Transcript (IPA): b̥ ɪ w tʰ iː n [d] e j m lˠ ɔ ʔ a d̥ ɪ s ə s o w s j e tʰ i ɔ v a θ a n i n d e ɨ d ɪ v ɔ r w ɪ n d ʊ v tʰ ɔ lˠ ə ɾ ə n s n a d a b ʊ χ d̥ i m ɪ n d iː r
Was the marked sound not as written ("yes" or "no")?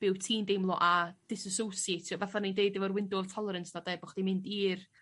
no